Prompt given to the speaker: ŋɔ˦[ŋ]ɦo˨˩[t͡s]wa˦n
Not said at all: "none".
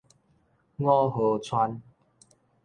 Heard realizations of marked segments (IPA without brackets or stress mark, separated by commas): none, t͡sʰ